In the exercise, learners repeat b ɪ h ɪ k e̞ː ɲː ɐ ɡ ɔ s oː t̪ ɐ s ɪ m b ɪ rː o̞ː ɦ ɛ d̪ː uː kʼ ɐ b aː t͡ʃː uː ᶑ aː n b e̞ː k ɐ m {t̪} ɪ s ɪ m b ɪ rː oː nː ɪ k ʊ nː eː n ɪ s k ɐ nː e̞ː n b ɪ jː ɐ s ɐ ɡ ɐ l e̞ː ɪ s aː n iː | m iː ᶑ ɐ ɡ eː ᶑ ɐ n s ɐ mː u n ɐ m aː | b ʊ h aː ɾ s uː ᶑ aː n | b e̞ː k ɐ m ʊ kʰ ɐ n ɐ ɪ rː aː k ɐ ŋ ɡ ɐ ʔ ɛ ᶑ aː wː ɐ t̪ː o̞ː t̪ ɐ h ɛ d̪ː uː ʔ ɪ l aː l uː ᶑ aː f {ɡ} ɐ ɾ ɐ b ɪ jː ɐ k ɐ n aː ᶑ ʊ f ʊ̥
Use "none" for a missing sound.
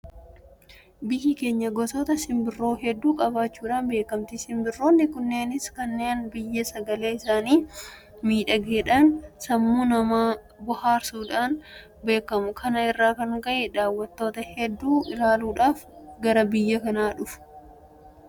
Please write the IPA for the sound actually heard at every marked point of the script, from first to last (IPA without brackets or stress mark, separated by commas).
t̪, ɡ